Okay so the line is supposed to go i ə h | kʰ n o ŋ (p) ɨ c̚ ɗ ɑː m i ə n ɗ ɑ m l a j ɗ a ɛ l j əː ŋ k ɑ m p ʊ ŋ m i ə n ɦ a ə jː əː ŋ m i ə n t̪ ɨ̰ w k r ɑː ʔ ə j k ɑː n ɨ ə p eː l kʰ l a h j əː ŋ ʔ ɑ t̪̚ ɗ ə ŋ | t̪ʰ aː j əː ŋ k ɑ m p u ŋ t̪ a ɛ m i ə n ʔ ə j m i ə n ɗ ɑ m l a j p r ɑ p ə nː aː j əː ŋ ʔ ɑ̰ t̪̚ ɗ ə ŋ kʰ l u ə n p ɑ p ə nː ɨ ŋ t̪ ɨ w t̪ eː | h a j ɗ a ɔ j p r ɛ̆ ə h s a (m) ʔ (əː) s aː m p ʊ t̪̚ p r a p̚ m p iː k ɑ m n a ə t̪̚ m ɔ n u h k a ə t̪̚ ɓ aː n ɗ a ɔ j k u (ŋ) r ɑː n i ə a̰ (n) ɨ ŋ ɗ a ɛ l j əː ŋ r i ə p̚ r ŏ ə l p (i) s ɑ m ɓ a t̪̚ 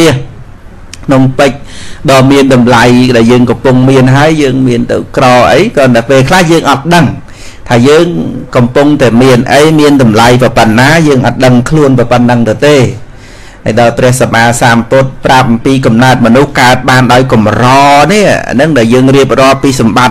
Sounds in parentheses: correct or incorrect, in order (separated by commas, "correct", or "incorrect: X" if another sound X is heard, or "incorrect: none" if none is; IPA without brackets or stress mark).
correct, correct, incorrect: aː, incorrect: m, correct, incorrect: iː